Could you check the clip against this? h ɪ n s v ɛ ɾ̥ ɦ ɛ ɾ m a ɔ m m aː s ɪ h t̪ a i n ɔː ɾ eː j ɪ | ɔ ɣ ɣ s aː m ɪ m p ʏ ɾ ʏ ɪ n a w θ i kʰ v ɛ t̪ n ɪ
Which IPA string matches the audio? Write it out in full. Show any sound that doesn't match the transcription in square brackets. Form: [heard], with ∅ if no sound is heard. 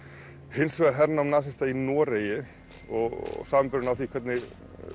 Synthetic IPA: h ɪ n s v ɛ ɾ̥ ɦ ɛ ɾ [n] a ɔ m [n] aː s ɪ [s] t̪ a i n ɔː ɾ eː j ɪ | ɔ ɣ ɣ s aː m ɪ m p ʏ ɾ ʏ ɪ n a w θ i kʰ v ɛ t̪ n ɪ

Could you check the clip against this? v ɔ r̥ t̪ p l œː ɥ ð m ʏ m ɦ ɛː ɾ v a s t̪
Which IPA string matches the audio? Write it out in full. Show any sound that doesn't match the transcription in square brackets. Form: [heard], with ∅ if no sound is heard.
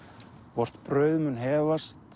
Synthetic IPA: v ɔ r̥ t̪ p [ɾ] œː ɥ ð m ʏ [n] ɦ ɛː [∅] v a s t̪

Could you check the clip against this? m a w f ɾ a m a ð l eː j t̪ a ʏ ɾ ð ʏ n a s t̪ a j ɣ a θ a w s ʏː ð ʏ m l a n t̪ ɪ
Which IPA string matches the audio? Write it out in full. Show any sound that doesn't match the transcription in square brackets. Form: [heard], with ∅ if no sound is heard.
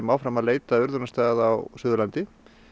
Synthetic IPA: m a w f ɾ a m a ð l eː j t̪ a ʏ ɾ ð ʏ n a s t̪ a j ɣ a [ð] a w s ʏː ð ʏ [∅] l a n t̪ ɪ

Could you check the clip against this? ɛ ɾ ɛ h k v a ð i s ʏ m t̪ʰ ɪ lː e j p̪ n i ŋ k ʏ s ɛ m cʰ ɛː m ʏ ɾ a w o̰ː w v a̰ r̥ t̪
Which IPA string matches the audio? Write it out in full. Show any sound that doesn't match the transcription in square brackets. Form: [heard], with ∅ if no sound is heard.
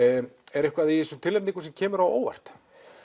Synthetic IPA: ɛ ɾ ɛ h k v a ð i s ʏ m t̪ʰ ɪ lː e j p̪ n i ŋ k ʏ s ɛ m cʰ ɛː m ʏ ɾ a w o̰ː w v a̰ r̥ t̪

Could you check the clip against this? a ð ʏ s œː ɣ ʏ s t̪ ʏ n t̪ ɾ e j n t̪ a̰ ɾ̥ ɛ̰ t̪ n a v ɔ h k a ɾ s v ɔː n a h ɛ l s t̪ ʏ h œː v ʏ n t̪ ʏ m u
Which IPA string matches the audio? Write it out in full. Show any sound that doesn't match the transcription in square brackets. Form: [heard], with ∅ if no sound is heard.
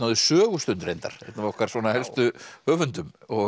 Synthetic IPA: a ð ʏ s œː ɣ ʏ s t̪ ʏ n t̪ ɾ e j n t̪ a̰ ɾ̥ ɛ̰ t̪ n a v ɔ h k a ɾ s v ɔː n a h ɛ l s t̪ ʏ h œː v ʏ n t̪ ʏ m [ɔ]

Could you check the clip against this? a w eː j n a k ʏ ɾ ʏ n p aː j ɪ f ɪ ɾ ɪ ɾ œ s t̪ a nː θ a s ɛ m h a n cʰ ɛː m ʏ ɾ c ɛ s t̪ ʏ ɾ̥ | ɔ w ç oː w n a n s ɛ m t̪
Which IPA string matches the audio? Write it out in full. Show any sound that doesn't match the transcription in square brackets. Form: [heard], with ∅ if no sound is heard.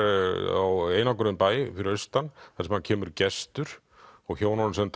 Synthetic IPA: a w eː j n a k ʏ ɾ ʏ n p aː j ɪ f ɪ ɾ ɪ ɾ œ s t̪ a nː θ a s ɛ m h a n cʰ ɛː m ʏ ɾ c ɛ s t̪ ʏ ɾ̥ | ɔ [ɣ] ç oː w n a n s ɛ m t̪

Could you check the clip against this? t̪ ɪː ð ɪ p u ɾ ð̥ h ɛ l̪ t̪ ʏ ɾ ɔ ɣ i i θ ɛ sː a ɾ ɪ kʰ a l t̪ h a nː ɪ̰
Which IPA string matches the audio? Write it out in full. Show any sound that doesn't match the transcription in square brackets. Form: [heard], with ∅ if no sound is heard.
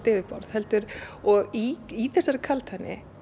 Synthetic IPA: t̪ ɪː [v] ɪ p [ɔ] ɾ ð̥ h ɛ l̪ t̪ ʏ ɾ ɔ ɣ i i θ ɛ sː a ɾ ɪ kʰ a l t̪ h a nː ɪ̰

